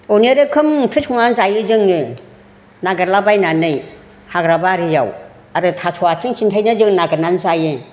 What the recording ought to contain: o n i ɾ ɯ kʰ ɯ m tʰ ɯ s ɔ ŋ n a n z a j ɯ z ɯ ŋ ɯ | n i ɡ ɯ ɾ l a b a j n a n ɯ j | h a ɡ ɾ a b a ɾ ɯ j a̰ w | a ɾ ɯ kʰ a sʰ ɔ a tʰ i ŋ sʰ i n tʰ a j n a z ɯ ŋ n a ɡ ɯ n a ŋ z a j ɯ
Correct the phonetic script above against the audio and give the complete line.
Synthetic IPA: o n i ɾ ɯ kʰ ɯ m tʰ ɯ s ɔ ŋ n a n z a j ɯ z ɯ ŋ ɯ | n a ɡ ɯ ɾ l a b a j n a n ɯ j | h a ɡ ɾ a b a ɾ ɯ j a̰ w | a ɾ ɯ tʰ a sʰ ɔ a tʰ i ŋ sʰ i n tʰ a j n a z ɯ ŋ n a ɡ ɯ n a n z a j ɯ